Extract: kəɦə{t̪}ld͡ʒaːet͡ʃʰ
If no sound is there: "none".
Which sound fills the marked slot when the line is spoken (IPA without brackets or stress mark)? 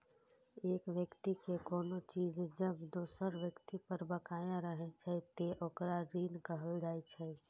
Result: none